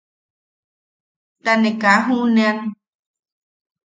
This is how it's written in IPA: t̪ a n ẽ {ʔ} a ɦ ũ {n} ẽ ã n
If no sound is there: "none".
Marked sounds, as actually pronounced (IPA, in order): k, n

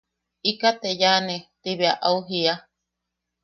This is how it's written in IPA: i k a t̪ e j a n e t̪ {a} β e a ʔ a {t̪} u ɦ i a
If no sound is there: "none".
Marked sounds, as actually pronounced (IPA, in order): i, none

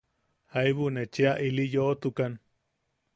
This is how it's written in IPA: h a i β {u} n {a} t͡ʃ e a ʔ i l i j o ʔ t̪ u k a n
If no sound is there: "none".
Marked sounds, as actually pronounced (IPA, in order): u, e

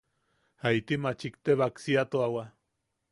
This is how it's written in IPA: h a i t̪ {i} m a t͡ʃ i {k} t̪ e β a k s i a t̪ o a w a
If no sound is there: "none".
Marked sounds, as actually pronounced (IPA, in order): i, k

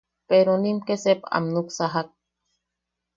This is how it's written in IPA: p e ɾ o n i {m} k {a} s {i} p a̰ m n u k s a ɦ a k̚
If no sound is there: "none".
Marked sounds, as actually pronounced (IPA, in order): m, e, e

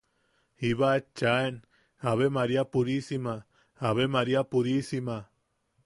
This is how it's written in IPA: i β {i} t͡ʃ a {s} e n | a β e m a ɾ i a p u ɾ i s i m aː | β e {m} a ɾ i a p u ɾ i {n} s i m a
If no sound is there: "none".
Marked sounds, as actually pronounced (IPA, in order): a, none, m, none

